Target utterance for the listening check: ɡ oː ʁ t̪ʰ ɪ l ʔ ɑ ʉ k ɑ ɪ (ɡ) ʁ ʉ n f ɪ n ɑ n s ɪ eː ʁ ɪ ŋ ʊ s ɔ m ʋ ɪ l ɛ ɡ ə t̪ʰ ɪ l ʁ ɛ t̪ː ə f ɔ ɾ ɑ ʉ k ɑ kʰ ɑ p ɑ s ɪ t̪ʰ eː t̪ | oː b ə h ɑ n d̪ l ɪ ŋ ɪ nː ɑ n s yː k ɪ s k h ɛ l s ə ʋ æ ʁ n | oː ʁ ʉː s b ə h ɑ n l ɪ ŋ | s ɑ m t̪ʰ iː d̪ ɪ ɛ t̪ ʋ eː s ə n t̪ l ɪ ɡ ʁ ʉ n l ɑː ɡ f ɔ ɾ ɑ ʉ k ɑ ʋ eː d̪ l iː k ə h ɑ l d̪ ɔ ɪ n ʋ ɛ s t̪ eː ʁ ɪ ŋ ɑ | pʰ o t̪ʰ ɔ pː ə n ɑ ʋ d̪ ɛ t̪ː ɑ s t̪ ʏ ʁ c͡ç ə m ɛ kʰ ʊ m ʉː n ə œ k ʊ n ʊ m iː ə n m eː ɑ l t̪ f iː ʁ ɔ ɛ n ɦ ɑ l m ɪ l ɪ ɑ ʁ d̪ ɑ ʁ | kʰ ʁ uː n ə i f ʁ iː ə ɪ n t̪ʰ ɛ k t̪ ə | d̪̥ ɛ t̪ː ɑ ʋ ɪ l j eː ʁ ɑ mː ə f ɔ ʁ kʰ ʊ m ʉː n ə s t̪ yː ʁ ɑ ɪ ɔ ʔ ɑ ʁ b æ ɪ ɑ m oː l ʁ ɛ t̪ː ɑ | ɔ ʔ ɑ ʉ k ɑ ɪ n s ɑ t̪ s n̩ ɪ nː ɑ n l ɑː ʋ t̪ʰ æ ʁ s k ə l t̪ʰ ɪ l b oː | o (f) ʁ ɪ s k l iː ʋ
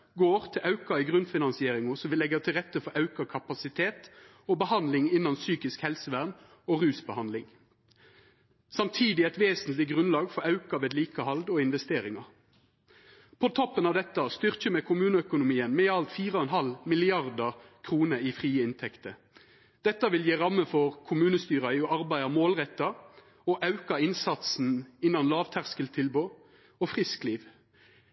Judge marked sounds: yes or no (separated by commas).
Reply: yes, yes